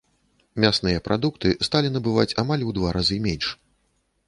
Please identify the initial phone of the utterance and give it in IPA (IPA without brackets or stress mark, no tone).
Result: mʲ